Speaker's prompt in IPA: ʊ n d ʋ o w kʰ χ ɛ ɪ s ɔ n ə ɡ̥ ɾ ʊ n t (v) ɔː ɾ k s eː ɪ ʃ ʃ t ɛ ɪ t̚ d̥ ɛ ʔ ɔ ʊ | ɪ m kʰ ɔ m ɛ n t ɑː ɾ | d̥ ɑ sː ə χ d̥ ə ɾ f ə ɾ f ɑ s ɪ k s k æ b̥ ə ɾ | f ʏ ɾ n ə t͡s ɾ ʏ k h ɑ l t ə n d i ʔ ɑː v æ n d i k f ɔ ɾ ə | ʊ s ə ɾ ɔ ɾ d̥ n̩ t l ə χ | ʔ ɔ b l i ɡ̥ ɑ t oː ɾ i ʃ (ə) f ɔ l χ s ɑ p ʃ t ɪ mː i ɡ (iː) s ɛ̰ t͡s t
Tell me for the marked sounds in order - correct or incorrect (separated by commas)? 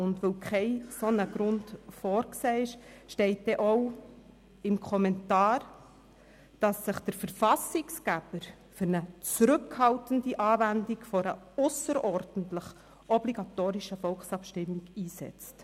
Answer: incorrect, correct, correct